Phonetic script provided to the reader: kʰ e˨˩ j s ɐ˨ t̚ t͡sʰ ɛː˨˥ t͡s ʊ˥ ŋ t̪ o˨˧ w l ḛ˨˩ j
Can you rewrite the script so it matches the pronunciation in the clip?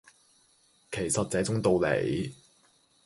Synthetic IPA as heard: kʰ e˨˩ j s ɐ˨ t̚ t͡s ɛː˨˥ t͡s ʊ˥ ŋ t̪ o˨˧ w l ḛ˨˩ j